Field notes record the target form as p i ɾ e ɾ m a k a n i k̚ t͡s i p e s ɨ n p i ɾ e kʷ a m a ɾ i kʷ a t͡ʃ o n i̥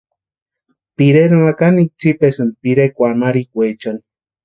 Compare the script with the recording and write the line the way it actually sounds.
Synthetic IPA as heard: p i ɾ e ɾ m a k a n i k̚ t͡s i p e s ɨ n p i ɾ e kʷ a m a ɾ i kʷ e t͡ʃ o n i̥